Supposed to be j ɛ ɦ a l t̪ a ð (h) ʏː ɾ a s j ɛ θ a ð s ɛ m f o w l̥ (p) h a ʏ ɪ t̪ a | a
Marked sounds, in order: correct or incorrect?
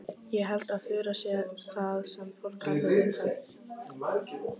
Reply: incorrect: θ, incorrect: k

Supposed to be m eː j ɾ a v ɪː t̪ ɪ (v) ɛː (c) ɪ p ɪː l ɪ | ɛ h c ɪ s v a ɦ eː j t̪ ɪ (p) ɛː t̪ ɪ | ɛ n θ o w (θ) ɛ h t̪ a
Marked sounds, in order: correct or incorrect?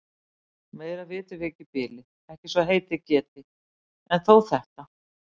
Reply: correct, correct, incorrect: c, correct

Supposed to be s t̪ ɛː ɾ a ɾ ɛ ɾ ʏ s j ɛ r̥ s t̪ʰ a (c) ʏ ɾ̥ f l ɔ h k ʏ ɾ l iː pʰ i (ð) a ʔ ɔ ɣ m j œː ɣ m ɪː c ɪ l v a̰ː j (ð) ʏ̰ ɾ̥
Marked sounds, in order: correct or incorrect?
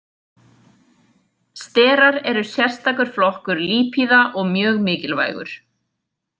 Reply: incorrect: k, correct, incorrect: ɣ

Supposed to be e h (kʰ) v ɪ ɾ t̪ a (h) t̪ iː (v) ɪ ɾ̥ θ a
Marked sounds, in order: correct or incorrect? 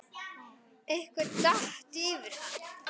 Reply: incorrect: k, correct, correct

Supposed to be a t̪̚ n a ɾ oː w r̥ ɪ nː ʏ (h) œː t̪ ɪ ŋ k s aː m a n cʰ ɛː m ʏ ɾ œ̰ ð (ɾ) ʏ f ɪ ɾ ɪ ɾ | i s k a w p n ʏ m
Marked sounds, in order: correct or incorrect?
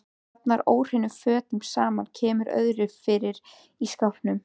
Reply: incorrect: f, correct

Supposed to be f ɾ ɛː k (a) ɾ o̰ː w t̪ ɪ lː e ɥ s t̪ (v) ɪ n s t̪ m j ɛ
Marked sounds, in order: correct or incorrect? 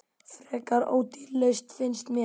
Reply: correct, incorrect: f

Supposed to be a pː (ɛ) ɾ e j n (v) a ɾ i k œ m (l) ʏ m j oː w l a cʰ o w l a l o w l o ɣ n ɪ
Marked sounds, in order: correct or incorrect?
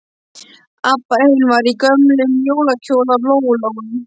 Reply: incorrect: a, correct, correct

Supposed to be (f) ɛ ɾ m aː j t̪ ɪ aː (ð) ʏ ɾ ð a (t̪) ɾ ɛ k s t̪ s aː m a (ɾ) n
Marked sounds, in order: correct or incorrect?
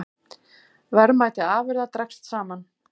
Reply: incorrect: v, incorrect: v, correct, incorrect: none

